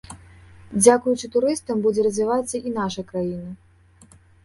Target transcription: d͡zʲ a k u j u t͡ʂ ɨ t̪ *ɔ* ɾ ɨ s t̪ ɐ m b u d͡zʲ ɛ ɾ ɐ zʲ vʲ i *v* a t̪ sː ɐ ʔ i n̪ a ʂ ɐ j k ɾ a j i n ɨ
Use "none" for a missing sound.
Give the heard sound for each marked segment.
u, v

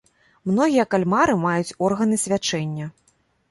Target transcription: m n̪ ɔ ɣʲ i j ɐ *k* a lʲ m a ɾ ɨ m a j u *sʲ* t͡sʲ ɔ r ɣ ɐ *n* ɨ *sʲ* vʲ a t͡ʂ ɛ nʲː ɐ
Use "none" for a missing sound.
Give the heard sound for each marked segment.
k, none, n, sʲ

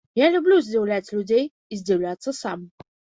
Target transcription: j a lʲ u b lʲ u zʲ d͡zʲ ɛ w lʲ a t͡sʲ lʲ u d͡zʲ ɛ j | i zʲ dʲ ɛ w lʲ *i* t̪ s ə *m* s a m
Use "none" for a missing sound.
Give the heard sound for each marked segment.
a, none

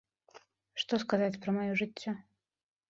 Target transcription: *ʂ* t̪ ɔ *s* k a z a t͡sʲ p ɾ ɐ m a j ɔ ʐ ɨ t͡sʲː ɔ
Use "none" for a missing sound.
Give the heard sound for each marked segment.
ʂ, s

